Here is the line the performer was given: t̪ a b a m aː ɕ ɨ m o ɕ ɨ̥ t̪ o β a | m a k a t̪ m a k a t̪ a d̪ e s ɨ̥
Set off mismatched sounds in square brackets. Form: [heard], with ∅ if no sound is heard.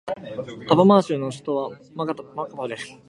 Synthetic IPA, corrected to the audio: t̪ a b a m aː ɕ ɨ [n] o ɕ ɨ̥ t̪ o β a | m a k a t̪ m a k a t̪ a d̪ e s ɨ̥